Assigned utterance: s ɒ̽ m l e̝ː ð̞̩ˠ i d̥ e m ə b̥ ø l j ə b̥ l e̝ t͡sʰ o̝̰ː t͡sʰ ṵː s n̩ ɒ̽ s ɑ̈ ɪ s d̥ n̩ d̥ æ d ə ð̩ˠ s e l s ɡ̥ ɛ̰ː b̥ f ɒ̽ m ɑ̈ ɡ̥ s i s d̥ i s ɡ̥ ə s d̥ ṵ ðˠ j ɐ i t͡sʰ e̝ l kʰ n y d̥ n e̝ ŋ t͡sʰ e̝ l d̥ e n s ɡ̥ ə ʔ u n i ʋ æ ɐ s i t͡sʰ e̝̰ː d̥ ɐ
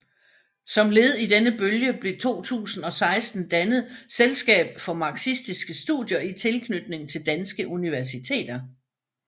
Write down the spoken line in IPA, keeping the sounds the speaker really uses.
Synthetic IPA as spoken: s ɒ̽ m l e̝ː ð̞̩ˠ i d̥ e n ə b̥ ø l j ə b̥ l e̝ t͡sʰ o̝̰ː t͡sʰ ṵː s n̩ ɒ̽ s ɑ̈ ɪ s d̥ n̩ d̥ æ n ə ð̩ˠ s e l s ɡ̥ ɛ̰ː b̥ f ɒ̽ m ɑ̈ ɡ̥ s i s d̥ i s ɡ̥ ə s d̥ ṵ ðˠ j ɐ i t͡sʰ e̝ l kʰ n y d̥ n e̝ ŋ t͡sʰ e̝ l d̥ æ n s ɡ̥ ə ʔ u n i ʋ æ ɐ s i t͡sʰ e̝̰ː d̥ ɐ